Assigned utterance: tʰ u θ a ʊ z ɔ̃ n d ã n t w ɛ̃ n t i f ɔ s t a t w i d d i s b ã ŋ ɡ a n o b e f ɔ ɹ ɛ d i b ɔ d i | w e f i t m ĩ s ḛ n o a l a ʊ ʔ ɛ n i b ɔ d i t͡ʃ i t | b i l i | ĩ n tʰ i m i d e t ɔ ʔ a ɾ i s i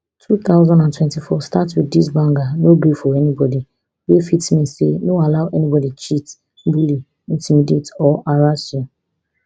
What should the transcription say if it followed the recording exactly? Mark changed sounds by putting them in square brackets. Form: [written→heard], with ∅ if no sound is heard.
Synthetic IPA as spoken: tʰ u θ a ʊ z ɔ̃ n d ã n t w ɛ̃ n t i f ɔ s t a t w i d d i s b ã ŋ ɡ a n o b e f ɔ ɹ ɛ [d→n] i b ɔ d i | w e f i t m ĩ s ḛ n o a l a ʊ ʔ ɛ n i b ɔ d i t͡ʃ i t | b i l i | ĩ n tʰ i m i d e t ɔ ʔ a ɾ [i→a] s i